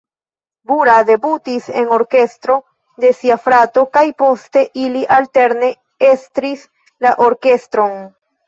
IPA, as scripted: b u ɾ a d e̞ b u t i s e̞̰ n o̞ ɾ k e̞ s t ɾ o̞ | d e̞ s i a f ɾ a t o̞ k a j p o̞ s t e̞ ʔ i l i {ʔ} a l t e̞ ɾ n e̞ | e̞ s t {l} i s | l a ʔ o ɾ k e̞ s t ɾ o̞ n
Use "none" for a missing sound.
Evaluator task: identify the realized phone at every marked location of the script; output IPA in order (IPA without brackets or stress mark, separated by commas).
ʔ, ɾ